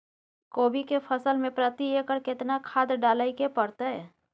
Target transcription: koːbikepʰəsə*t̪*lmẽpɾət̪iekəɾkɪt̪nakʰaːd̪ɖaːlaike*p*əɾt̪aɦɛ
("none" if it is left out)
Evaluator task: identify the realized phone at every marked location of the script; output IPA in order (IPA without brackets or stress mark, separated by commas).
none, p